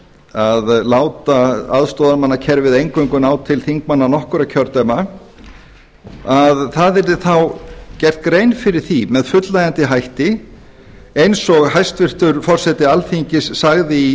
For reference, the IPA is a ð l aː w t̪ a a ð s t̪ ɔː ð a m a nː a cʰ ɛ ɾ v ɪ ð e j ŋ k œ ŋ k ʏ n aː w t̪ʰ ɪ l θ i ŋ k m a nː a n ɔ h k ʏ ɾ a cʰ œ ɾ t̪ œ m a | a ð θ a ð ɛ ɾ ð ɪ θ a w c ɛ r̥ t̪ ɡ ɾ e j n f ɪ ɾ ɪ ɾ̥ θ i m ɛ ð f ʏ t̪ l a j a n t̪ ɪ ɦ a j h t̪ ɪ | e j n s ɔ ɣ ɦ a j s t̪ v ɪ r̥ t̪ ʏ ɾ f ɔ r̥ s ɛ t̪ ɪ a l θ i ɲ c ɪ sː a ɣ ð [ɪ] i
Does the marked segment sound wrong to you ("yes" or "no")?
no